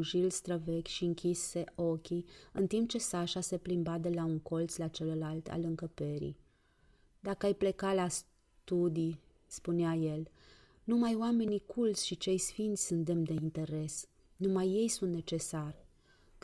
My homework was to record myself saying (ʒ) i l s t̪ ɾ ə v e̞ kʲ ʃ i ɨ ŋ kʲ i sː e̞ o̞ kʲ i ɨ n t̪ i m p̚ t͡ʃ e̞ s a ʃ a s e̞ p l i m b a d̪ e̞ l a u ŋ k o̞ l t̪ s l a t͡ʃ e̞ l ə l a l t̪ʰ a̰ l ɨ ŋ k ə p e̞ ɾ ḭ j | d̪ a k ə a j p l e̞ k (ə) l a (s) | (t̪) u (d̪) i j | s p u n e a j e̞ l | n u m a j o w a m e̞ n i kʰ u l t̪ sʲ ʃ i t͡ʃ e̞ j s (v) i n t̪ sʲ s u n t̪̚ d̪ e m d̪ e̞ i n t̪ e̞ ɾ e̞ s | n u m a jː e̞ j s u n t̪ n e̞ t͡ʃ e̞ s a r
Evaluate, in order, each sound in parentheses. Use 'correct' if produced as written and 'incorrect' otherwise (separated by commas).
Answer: correct, incorrect, correct, correct, correct, incorrect